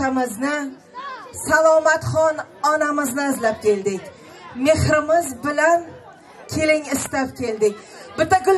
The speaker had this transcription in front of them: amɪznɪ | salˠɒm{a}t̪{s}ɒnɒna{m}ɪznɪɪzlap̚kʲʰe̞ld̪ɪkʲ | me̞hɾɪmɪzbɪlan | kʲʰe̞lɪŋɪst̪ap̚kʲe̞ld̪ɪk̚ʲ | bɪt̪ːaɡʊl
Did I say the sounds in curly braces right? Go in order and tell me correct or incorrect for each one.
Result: correct, incorrect: χ, correct

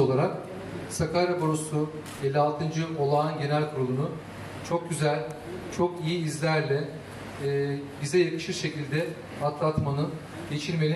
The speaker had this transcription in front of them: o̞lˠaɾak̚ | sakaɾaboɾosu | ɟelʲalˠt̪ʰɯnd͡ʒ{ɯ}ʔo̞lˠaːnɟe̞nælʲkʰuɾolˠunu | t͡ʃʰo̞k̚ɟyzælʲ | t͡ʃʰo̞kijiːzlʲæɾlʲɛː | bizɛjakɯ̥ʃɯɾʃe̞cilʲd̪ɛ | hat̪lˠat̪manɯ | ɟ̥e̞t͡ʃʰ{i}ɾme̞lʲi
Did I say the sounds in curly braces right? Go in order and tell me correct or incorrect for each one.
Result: correct, correct

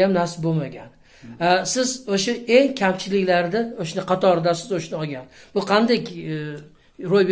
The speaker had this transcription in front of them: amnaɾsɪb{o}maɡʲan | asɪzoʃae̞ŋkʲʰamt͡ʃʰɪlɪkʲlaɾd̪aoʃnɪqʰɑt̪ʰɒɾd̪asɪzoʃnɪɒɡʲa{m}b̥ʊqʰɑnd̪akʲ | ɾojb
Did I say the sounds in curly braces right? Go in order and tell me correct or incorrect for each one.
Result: correct, incorrect: n

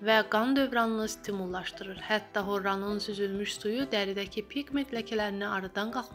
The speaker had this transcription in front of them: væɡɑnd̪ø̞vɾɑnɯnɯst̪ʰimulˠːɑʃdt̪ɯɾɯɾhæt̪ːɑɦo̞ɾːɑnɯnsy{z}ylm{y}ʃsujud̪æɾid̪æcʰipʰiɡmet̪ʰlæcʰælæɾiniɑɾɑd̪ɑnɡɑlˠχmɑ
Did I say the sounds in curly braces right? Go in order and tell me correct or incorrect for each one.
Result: correct, correct

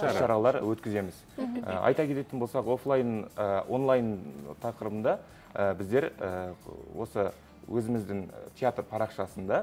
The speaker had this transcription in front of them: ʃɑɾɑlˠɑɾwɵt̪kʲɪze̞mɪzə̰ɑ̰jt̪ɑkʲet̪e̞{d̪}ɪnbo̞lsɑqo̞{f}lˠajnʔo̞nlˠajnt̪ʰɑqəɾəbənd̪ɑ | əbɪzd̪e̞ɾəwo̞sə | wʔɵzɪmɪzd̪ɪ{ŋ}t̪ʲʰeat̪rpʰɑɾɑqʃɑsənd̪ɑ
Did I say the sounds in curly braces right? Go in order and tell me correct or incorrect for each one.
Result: incorrect: t̪, correct, correct

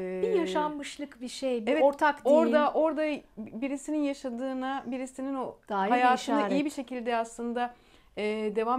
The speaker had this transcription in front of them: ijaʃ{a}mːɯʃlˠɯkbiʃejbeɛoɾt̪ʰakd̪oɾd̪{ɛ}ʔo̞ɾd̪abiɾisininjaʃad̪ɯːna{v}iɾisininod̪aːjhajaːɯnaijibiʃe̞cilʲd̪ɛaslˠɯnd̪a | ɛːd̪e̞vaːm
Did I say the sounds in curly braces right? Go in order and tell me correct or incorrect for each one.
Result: correct, incorrect: a, incorrect: b

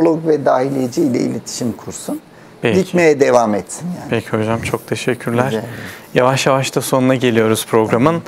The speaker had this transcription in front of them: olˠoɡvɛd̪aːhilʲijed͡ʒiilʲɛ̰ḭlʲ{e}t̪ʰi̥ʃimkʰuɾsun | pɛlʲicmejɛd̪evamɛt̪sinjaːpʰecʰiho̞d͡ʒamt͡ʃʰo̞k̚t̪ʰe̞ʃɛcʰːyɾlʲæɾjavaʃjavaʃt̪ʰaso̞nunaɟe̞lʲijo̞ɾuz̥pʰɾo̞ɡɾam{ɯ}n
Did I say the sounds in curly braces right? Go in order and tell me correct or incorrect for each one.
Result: correct, correct

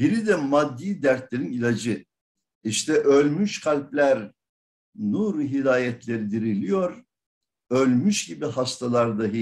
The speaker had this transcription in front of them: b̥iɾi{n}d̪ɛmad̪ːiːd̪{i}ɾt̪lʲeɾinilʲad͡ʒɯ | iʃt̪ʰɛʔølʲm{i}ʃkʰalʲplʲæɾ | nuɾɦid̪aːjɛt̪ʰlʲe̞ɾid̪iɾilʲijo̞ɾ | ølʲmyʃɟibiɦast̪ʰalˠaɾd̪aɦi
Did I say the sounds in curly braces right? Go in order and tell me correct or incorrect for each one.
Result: incorrect: none, incorrect: æ, incorrect: y

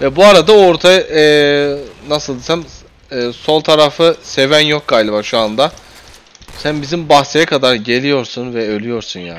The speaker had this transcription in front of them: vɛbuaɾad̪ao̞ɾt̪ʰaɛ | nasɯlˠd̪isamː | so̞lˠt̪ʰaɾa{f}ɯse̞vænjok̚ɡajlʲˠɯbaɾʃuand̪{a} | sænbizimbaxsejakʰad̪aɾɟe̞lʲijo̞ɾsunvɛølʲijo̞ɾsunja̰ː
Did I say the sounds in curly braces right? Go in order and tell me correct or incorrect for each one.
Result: correct, correct

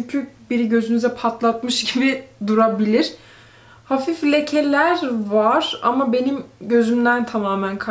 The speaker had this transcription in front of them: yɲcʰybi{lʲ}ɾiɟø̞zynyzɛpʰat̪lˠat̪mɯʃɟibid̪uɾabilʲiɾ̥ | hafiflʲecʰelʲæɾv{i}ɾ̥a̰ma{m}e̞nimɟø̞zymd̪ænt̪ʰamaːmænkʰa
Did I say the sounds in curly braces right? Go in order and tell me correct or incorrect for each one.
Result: incorrect: none, incorrect: a, incorrect: b

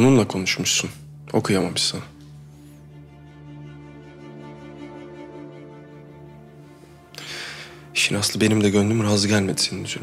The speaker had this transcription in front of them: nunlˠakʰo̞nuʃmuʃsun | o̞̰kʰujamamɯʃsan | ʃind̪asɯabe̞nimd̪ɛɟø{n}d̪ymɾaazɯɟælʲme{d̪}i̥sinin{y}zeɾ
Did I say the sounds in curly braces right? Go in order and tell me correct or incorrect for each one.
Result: correct, correct, correct

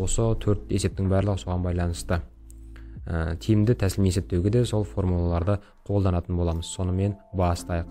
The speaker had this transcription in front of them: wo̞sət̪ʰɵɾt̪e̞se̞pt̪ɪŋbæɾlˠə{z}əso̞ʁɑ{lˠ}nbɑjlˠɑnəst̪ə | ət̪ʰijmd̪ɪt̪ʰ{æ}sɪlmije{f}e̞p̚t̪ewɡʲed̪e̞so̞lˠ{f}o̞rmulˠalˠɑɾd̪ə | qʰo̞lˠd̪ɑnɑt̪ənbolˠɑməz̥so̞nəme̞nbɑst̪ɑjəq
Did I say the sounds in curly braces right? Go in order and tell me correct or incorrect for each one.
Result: incorrect: ʁ, incorrect: none, correct, incorrect: s, correct

